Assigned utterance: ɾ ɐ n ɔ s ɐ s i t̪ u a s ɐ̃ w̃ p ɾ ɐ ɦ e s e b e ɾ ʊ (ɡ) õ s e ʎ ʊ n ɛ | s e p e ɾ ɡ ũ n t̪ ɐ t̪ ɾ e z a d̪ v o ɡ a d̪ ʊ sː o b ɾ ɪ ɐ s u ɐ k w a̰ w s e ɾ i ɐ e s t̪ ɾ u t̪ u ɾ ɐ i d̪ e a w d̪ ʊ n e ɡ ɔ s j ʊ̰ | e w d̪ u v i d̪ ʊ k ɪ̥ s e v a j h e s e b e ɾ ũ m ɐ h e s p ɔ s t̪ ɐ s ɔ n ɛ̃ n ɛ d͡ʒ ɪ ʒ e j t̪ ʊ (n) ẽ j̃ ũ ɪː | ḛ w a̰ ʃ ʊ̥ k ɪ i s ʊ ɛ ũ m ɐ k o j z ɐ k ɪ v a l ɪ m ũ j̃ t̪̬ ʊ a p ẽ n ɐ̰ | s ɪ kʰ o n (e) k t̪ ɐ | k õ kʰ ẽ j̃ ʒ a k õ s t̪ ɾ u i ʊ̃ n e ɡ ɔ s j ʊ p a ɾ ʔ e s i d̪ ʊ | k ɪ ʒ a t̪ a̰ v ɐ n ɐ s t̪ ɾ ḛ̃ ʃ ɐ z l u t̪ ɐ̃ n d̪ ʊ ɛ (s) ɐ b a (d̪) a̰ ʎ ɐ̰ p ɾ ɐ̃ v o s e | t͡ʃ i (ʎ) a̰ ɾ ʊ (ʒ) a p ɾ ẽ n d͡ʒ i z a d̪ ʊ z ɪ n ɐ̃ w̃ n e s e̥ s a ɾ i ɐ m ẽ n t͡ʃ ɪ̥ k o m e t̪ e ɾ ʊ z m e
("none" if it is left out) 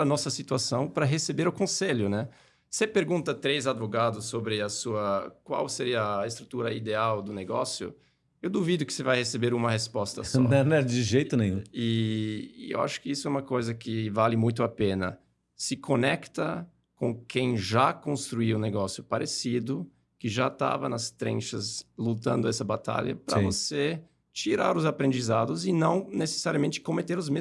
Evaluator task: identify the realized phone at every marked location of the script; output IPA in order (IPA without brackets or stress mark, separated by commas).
k, n, ɛ, s, t̪, ɾ, z